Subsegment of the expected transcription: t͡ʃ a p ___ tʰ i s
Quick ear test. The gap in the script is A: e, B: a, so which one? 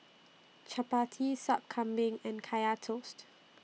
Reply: B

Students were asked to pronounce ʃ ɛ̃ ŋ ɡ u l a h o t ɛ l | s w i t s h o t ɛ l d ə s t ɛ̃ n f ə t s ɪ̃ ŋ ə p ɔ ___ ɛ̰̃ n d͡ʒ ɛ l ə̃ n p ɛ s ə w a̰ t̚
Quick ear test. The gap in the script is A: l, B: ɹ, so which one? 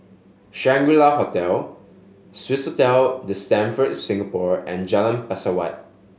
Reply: B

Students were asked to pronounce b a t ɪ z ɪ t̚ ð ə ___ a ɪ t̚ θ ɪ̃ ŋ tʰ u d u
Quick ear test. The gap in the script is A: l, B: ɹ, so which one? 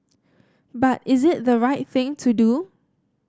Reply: B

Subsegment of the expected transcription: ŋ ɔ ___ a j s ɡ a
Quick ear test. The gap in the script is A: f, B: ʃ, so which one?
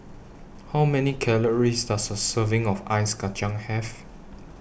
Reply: A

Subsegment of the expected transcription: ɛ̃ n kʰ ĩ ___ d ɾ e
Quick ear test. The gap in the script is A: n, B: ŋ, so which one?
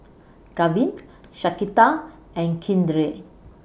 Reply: A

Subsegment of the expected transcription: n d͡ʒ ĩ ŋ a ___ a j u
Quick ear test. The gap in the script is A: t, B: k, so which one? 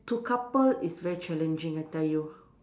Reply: A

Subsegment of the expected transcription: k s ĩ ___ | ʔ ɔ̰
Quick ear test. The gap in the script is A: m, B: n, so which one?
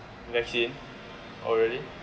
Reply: B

